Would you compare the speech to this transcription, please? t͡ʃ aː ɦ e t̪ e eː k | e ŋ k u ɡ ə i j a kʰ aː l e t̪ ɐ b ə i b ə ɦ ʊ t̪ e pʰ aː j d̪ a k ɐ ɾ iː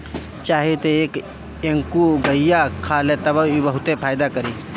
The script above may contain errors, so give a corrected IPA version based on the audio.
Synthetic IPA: t͡ʃ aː ɦ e t̪ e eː k | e ŋ k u ɡ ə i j a kʰ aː l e t̪ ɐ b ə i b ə ɦ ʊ t̪ e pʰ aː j d̪ a k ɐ ɾ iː